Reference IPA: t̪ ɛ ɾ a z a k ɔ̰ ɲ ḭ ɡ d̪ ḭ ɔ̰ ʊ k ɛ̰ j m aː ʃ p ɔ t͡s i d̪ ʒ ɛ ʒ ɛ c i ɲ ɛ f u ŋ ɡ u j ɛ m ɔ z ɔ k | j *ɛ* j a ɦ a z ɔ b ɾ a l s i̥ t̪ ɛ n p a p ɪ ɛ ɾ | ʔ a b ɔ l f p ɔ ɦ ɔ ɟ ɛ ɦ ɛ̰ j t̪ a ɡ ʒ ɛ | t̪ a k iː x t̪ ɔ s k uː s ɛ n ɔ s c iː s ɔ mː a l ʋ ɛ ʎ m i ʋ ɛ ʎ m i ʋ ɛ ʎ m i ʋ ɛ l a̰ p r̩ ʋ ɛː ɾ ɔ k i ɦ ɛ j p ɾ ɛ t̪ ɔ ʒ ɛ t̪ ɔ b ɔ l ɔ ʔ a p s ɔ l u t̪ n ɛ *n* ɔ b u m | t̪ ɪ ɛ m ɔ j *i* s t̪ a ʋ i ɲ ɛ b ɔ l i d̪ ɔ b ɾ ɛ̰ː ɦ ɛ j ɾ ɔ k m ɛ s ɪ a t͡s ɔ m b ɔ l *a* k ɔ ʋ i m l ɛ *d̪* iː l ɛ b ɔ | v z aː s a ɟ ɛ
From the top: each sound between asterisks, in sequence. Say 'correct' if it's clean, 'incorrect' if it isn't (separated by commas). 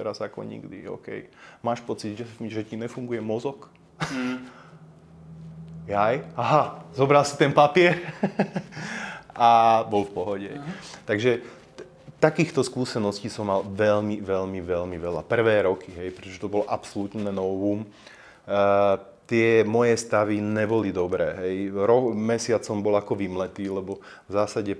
incorrect, correct, incorrect, correct, incorrect